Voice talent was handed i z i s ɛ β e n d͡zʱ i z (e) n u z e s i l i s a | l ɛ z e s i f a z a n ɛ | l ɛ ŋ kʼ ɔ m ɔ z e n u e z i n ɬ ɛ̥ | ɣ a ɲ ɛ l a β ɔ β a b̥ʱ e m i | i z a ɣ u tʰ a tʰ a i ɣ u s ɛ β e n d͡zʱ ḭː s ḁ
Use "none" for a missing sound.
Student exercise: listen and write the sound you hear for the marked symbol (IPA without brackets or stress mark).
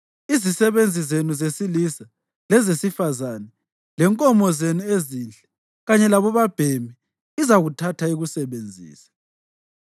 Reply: e